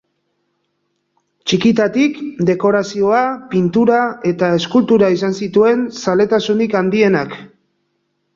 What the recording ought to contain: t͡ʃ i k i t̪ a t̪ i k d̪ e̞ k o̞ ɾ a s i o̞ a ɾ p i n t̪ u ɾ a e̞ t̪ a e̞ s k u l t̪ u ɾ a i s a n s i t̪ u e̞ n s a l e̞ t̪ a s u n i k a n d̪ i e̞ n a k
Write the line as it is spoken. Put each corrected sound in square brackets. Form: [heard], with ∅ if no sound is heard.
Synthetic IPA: t͡ʃ i k i t̪ a t̪ i k d̪ e̞ k o̞ ɾ a s i o̞ a [∅] p i n t̪ u ɾ a e̞ t̪ a e̞ s k u l t̪ u ɾ a i s a n s i t̪ u e̞ n s a l e̞ t̪ a s u n i k a n d̪ i e̞ n a k